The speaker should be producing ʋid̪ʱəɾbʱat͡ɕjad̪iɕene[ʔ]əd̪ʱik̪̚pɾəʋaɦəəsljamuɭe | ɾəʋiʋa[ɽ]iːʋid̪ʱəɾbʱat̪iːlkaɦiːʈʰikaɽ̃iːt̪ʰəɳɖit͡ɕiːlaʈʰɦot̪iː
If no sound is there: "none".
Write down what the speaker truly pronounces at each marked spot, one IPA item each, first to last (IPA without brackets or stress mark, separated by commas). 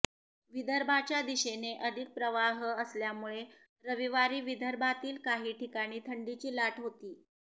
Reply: ʔ, ɾ